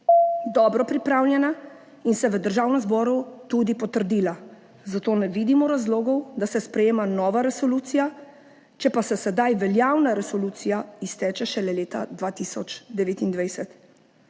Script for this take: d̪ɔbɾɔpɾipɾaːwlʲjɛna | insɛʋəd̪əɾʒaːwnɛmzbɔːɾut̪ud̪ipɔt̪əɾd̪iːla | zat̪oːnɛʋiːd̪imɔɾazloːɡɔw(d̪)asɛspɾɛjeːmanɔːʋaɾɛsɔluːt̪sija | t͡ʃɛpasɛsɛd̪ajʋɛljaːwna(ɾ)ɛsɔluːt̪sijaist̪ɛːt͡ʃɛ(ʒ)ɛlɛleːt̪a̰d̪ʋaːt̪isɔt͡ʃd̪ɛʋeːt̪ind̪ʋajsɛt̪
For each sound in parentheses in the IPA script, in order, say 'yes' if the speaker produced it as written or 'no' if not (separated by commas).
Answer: yes, yes, no